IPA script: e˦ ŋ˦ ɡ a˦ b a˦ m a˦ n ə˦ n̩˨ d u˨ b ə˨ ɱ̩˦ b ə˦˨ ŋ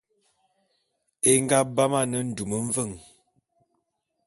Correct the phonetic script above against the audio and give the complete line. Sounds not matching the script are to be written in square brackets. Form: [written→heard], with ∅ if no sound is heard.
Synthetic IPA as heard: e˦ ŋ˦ ɡ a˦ b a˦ m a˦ n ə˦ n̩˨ d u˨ [b→m] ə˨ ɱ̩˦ [b→v] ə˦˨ ŋ